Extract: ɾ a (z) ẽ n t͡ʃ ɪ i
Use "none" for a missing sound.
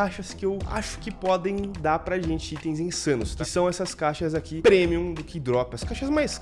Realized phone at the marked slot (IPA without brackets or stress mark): ʒ